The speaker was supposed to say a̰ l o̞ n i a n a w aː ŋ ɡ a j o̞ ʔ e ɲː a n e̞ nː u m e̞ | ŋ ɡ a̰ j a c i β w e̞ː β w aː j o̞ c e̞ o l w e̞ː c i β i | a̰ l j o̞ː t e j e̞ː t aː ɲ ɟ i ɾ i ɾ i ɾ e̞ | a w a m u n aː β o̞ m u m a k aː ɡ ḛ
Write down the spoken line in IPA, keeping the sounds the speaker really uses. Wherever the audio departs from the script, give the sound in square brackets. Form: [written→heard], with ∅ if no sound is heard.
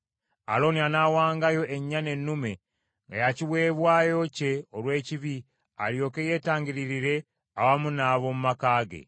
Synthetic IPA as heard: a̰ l o̞ n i a n a w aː ŋ ɡ a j o̞ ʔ e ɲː a n e̞ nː u m e̞ | ŋ ɡ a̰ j a c i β w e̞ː β w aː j o̞ c e̞ o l w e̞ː c i β i | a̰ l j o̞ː [t→k] e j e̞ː t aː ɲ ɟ i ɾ i ɾ i ɾ e̞ | a w a m u n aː β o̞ m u m a k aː ɡ ḛ

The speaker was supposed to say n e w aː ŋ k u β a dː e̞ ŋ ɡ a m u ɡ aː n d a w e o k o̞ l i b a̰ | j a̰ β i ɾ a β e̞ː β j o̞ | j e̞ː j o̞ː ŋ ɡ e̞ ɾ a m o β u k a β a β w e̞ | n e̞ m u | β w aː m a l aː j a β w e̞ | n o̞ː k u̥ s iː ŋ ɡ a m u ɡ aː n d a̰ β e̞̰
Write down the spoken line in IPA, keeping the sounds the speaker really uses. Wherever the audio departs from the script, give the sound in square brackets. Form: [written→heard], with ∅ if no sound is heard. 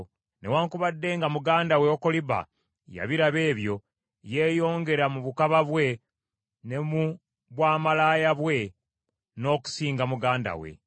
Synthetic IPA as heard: n e w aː ŋ k u β a dː e̞ ŋ ɡ a m u ɡ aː n d a w e o k o̞ l i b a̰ | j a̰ β i ɾ a β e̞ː β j o̞ | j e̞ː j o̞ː ŋ ɡ e̞ ɾ a m [o→u] β u k a β a β w e̞ | n e̞ m u | β w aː m a l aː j a β w e̞ | n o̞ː k u̥ s iː ŋ ɡ a m u ɡ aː n d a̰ [β→w] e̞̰

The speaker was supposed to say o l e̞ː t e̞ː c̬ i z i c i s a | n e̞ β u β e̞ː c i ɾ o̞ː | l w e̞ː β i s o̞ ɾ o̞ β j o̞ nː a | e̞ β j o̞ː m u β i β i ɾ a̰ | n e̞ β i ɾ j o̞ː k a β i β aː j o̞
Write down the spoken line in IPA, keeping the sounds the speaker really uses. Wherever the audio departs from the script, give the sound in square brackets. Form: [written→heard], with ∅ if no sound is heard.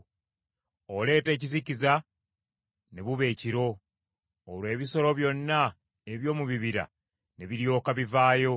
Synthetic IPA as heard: o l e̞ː t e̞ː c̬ i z i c i [s→z] a | n e̞ β u β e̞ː c i ɾ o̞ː | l w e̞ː β i s o̞ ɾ o̞ β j o̞ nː a | e̞ β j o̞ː m u β i β i ɾ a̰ | n e̞ β i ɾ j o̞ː k a β i [β→v] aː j o̞

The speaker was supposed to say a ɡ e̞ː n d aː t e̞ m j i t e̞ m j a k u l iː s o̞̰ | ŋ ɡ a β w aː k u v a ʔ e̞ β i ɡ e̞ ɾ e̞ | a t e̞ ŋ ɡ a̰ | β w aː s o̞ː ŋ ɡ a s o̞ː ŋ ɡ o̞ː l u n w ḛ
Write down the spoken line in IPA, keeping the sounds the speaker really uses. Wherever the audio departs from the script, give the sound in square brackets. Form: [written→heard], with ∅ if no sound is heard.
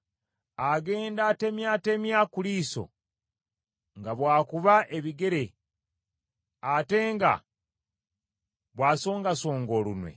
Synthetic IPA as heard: a ɡ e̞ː n d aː t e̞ m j [i→a] t e̞ m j a k u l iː s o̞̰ | ŋ ɡ a β w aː k u [v→β] a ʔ e̞ β i ɡ e̞ ɾ e̞ | a t e̞ ŋ ɡ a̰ | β w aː s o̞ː ŋ ɡ a s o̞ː ŋ ɡ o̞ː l u n w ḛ

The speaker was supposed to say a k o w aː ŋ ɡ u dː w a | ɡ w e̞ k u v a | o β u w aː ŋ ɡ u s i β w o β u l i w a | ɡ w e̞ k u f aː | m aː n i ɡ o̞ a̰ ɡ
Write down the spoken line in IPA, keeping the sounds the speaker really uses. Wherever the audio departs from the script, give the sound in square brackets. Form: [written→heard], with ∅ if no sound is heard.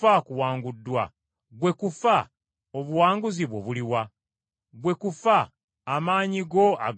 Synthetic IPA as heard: a k [o→u] w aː ŋ ɡ u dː w a | ɡ w e̞ k u [v→f] a | o β u w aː ŋ ɡ u [s→z] i β w o β u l i w a | ɡ w e̞ k u f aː | m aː [n→ɲ] i ɡ o̞ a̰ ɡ

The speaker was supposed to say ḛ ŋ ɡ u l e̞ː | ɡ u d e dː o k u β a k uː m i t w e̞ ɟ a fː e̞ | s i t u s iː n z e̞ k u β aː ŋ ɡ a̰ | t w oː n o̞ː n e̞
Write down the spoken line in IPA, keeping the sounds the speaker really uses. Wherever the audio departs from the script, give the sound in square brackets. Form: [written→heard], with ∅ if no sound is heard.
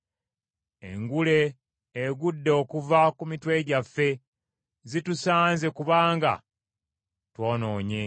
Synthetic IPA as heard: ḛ ŋ ɡ u l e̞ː | ɡ u [d→dː] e [dː→∅] o k u [β→v] a k [uː→u] m i t w e̞ ɟ a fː e̞ | [s→z] i t u s [iː→aː] n z e̞ k u β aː ŋ ɡ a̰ | t w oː n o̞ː [n→ɲ] e̞

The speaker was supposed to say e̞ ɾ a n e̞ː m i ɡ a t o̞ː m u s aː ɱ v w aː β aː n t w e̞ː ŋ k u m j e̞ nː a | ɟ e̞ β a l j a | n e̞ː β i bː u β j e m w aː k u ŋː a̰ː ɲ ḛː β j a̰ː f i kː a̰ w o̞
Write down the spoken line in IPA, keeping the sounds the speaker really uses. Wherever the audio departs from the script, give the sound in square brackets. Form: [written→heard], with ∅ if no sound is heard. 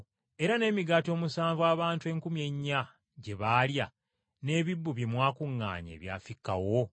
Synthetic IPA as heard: e̞ ɾ a n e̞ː m i ɡ a t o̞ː m u s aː ɱ v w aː β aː n t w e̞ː ŋ k u m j e̞ [nː→ɲː] a | ɟ e̞ β a l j a | n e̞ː β i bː u β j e m w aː k u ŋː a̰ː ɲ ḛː β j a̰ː f i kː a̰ w o̞

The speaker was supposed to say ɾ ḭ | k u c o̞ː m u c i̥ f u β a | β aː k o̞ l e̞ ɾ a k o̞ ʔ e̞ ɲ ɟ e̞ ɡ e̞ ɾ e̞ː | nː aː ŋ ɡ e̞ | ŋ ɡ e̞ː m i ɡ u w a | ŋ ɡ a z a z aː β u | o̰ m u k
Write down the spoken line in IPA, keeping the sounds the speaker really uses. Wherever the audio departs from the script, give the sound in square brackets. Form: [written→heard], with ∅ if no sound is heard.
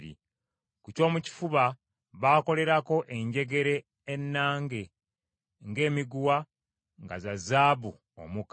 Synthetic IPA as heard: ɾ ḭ | k u c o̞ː m u c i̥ f u β a | β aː k o̞ l e̞ ɾ a k o̞ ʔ e̞ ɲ ɟ e̞ ɡ e̞ ɾ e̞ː | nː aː ŋ ɡ e̞ | ŋ ɡ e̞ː m i ɡ u w a | ŋ ɡ a z a z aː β u | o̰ m u k

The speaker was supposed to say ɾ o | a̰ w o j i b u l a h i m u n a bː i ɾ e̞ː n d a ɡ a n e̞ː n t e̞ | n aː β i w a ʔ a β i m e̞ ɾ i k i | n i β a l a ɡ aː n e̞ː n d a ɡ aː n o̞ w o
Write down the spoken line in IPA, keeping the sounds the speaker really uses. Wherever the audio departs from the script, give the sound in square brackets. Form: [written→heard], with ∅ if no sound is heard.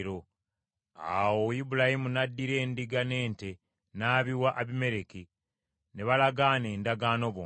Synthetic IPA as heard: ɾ o | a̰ w o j i b u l a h i m u n a [bː→dː] i ɾ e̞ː n d [a→i] ɡ a n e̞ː n t e̞ | n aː β i w a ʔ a β i m e̞ ɾ [i→e] k i | n [i→e] β a l a ɡ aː n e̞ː n d a ɡ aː n o̞ [w→β] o

